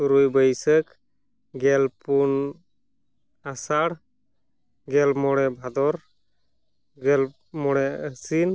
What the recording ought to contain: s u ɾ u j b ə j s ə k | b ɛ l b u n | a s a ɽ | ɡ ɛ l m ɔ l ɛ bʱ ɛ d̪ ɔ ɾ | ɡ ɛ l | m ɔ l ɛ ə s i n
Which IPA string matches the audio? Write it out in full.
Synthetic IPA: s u ɾ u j b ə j s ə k | ɡ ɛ l p u n | a s a ɽ | ɡ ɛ l m ɔ ɽ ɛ bʱ a d̪ ɔ ɾ | ɡ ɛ l | m ɔ ɽ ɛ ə s i n